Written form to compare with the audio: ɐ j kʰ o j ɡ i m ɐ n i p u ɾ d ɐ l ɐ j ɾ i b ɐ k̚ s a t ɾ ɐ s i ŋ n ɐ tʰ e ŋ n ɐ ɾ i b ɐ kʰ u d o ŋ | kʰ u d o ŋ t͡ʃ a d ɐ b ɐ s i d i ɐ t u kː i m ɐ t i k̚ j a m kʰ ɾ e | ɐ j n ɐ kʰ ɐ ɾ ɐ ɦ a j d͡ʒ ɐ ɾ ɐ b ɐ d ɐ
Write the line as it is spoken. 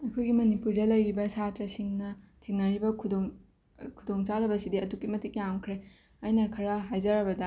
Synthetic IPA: ɐ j kʰ o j ɡ i m ɐ n i p u ɾ d ɐ l ɐ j ɾ i b ɐ s a t ɾ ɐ s i ŋ n ɐ tʰ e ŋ n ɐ ɾ i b ɐ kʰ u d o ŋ | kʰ u d o ŋ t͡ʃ a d ɐ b ɐ s i d i ɐ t u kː i m ɐ t i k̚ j a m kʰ ɾ e | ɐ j n ɐ kʰ ɐ ɾ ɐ ɦ a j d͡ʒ ɐ ɾ ɐ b ɐ d ɐ